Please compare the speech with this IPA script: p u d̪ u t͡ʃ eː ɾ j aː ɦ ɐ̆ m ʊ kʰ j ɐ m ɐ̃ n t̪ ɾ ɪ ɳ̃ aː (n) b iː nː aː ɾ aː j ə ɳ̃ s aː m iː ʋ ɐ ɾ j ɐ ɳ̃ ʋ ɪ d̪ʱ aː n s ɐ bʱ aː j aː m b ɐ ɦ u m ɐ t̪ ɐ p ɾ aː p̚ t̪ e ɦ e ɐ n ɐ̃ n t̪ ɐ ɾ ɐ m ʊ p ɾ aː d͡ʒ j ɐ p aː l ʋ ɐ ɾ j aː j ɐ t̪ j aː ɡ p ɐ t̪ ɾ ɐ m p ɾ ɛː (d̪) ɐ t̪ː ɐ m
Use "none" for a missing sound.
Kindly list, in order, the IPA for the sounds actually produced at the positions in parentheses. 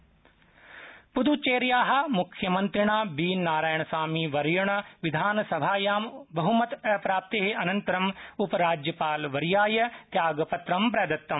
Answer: none, d̪

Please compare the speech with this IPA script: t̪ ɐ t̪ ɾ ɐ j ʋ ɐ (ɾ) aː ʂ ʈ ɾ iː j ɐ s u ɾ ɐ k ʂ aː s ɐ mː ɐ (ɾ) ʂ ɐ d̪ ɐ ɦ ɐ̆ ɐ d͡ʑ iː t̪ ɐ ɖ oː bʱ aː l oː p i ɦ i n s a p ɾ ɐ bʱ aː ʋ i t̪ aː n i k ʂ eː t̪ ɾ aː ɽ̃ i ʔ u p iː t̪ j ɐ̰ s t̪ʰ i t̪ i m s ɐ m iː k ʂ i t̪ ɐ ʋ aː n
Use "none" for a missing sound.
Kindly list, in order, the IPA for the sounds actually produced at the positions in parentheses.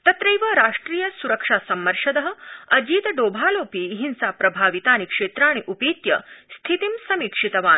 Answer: ɾ, ɾ

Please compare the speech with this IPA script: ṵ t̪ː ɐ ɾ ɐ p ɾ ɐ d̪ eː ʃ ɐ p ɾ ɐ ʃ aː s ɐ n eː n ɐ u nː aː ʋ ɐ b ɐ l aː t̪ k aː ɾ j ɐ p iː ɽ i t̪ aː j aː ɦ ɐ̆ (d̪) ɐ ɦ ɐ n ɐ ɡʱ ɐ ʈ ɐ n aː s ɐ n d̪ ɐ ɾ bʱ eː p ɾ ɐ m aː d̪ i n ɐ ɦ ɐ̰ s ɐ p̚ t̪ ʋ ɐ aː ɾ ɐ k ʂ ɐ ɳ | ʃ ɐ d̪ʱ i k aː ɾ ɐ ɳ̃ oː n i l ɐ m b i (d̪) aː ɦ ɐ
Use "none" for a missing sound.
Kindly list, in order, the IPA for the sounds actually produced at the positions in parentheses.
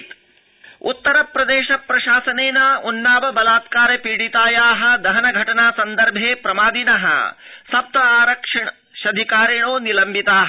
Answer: d̪, t̪

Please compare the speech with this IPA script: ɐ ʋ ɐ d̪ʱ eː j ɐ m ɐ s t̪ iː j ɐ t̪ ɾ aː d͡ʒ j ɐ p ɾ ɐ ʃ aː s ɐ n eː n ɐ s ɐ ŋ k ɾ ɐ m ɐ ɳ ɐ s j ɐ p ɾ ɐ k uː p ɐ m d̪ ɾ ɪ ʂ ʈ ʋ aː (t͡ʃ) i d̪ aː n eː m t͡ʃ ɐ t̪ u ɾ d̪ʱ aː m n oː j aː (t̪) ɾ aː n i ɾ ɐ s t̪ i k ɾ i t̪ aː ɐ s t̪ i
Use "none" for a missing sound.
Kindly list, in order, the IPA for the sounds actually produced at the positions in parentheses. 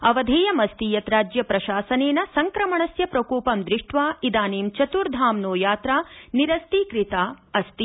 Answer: none, t̪

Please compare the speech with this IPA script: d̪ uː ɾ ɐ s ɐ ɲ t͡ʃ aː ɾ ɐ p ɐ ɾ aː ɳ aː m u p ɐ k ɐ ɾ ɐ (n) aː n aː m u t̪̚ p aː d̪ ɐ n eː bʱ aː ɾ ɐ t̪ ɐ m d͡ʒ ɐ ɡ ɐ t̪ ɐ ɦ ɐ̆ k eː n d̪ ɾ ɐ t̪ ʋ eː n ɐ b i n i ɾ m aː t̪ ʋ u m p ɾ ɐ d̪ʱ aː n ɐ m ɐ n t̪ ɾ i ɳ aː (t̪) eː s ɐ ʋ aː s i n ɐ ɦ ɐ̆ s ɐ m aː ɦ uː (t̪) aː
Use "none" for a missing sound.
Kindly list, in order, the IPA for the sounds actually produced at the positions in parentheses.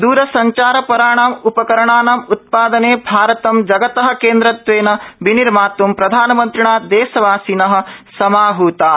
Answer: ɳ, d̪, t̪

